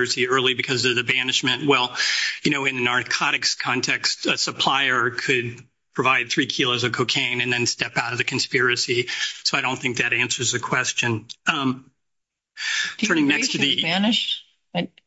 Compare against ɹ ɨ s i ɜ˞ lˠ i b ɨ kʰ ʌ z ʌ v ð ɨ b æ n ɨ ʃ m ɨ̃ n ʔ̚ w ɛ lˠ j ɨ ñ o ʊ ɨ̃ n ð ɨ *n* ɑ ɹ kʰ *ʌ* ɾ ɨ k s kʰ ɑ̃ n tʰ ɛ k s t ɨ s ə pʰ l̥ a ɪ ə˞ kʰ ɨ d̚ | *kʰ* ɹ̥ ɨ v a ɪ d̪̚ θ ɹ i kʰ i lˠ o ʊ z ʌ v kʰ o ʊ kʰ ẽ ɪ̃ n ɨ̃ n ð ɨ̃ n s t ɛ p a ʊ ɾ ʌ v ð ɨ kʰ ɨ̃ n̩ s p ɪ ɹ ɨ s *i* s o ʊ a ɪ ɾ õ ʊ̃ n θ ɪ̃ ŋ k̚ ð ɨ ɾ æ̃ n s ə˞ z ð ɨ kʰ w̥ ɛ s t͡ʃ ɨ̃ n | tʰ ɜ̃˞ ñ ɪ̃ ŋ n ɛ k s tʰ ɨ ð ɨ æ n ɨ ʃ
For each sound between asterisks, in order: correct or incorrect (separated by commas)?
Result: correct, incorrect, incorrect, correct